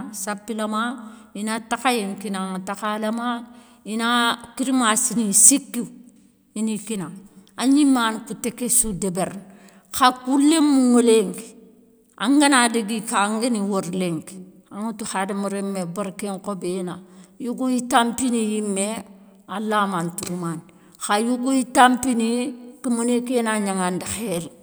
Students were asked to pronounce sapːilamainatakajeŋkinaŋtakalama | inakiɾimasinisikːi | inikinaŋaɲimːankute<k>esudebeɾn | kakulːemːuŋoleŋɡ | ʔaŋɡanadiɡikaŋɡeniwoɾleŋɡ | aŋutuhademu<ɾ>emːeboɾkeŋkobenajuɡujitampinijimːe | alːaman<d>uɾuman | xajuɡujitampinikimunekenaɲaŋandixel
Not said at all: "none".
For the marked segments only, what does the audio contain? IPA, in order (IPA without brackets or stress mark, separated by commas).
k, ɾ, t